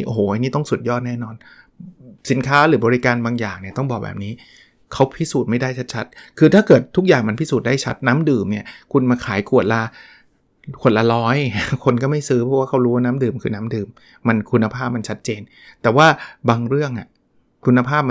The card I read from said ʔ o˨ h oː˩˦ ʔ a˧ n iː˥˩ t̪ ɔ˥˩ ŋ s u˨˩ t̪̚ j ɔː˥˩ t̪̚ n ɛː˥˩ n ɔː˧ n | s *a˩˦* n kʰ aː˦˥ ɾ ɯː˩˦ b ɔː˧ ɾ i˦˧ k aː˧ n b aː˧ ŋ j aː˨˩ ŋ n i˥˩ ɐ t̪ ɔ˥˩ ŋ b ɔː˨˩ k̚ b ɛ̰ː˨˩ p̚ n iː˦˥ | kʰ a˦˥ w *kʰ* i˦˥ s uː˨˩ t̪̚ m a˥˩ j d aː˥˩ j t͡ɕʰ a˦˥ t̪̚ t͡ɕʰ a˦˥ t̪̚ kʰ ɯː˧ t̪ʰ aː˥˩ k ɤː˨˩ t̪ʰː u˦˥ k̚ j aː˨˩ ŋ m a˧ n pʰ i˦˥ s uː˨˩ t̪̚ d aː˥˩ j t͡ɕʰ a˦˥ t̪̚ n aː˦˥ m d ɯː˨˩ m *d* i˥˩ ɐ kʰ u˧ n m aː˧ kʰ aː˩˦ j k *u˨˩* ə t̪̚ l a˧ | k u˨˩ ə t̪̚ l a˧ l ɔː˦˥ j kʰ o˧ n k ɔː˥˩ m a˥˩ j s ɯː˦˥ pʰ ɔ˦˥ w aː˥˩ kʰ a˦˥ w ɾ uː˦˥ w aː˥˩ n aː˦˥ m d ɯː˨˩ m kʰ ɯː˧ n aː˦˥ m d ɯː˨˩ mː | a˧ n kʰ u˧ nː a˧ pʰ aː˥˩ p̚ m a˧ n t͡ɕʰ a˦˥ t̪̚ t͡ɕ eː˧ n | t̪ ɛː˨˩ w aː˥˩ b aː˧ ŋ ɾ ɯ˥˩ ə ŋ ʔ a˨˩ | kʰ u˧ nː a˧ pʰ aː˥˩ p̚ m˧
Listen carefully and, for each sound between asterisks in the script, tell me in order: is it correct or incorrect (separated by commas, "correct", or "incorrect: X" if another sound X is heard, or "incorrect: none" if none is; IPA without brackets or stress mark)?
incorrect: i˩˦, incorrect: pʰ, incorrect: n, correct